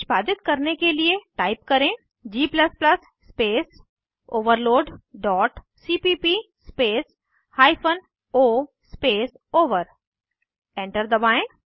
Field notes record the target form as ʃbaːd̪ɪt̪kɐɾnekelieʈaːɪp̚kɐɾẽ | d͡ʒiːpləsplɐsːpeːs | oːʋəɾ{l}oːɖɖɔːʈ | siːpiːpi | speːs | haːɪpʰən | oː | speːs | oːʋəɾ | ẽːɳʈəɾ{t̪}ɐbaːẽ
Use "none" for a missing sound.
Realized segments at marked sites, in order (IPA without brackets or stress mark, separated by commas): l, d̪